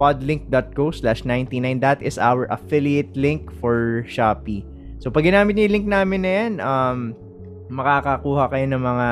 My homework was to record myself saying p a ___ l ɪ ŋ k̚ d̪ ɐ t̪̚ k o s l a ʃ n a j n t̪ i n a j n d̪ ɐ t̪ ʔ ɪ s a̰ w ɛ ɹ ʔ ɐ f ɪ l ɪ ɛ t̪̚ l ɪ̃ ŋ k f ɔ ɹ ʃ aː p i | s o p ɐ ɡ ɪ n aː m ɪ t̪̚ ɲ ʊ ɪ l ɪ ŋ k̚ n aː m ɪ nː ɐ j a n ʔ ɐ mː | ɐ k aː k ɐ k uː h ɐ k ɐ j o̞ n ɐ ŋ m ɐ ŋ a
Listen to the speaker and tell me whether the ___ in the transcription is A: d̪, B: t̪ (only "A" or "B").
A